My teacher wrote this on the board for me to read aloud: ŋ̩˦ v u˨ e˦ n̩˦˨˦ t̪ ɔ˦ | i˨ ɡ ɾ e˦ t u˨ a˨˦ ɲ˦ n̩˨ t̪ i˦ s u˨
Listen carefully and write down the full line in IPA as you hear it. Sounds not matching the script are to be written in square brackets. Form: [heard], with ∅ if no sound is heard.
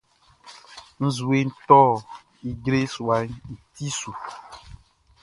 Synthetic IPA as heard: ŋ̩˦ [z] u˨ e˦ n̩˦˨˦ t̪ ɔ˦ | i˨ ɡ ɾ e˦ [s] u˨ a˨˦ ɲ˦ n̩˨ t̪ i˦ s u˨

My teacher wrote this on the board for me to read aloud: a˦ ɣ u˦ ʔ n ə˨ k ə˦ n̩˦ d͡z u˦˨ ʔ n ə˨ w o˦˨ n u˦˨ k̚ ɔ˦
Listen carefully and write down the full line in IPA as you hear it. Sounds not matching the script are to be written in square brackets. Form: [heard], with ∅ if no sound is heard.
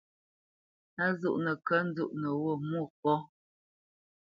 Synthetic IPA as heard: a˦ [z] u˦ ʔ n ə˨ k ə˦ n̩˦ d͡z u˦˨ ʔ n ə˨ w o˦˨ [m] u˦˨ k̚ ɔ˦

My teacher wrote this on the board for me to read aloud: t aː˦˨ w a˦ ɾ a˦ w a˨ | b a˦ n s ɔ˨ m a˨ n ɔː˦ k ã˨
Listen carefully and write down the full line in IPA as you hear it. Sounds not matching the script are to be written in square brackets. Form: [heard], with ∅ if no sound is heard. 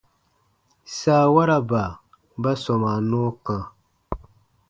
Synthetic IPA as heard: [s] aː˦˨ w a˦ ɾ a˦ [b] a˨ | b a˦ [∅] s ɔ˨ m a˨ n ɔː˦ k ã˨

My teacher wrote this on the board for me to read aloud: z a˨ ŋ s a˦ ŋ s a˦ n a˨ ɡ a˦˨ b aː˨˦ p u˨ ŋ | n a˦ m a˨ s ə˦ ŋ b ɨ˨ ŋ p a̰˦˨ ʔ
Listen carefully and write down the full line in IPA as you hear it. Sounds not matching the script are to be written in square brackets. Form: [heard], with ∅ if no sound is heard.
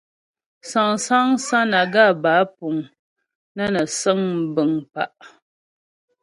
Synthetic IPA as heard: [s] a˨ ŋ s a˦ ŋ s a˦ n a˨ ɡ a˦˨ b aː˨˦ p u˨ ŋ | n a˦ [n] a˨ s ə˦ ŋ b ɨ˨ ŋ p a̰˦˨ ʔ

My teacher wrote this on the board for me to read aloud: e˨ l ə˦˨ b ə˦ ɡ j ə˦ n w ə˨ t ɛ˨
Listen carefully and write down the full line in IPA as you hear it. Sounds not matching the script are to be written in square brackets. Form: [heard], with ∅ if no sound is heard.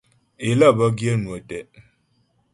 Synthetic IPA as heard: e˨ l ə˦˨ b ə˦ ɡ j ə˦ n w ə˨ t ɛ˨

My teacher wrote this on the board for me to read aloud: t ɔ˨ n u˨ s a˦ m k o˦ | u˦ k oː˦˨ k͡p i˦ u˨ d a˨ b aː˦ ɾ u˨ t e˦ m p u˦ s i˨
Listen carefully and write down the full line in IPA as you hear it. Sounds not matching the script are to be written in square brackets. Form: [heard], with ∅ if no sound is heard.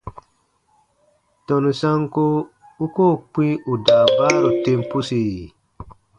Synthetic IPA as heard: t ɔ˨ n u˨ s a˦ [ŋ] k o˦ | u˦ k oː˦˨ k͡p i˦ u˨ d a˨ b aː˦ ɾ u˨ t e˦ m p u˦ s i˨

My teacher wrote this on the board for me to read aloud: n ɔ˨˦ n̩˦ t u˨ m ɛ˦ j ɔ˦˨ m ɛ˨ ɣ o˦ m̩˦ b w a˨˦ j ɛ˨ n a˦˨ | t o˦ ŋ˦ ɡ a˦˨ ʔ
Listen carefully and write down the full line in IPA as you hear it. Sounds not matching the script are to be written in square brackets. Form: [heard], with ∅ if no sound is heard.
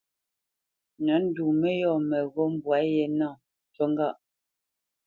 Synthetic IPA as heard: n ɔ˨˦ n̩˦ [d] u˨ m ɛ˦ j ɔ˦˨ m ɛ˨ ɣ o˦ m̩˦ b w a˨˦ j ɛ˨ n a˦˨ | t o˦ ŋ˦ ɡ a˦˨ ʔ

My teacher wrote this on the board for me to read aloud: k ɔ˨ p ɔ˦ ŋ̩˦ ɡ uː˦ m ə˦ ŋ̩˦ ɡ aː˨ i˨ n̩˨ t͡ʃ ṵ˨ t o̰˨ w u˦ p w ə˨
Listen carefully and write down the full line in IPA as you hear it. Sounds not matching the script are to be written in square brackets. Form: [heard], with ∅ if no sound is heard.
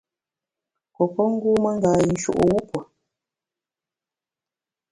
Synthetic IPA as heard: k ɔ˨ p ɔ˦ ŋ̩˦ ɡ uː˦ m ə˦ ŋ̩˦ ɡ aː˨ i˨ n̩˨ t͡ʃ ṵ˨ [ʔ] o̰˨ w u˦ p w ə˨

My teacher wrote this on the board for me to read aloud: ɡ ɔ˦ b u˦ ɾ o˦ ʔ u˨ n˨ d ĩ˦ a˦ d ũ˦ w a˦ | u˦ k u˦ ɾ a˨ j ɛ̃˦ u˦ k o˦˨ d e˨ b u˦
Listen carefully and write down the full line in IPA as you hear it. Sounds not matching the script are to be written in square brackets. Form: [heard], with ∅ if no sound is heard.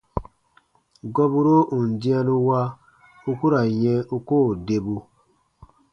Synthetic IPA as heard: ɡ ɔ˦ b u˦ ɾ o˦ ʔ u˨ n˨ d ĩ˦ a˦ [n] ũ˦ w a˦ | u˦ k u˦ ɾ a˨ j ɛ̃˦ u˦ k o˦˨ d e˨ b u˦

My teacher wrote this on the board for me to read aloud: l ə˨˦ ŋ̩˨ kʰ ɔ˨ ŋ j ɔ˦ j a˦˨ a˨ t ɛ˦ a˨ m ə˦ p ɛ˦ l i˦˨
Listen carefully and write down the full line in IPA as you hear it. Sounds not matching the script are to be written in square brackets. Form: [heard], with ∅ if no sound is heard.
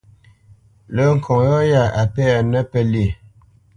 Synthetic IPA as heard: l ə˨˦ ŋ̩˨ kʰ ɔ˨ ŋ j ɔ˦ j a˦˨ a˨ [p] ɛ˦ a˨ [n] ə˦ p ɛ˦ l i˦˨

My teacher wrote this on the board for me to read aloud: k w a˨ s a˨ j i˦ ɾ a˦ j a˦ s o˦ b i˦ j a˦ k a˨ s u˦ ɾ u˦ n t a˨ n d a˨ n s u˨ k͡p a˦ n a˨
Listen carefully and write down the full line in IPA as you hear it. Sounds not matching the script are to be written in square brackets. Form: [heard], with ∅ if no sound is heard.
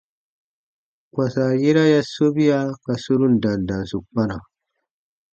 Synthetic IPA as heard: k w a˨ s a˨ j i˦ ɾ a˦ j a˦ s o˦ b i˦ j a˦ k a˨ s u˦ ɾ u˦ n [d] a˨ n d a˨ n s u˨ k͡p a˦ n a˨

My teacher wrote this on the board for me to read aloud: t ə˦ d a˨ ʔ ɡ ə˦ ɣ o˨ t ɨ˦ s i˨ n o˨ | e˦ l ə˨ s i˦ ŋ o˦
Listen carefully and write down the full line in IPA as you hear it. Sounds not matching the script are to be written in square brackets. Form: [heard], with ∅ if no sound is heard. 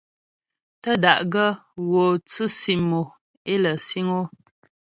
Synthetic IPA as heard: t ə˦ d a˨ ʔ ɡ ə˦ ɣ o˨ [t͡s] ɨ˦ s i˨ [m] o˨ | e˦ l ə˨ s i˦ ŋ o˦

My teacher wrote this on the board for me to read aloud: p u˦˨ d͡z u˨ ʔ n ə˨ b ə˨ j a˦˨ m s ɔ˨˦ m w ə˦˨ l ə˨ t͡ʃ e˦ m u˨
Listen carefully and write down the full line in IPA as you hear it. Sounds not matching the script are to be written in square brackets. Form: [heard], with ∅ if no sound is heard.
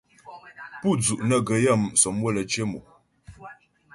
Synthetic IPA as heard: p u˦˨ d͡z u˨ ʔ n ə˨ [ɡ] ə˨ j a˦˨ m s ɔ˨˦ m w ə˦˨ l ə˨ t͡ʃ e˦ m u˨

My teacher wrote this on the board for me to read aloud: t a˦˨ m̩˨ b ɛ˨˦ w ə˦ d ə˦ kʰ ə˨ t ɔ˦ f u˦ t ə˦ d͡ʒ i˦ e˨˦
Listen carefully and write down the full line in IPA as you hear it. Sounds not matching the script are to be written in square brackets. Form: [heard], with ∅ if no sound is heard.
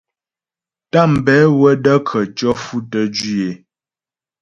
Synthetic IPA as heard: t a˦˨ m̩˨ b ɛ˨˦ w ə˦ d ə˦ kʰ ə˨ [t͡ʃ] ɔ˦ f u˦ t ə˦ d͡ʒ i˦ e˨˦

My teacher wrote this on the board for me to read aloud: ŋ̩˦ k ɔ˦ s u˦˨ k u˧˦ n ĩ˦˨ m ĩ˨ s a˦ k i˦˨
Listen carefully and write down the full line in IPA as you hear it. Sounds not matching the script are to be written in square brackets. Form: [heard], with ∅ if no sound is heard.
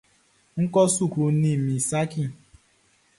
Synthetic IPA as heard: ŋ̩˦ k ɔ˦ s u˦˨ k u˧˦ n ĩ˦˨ m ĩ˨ s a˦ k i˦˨

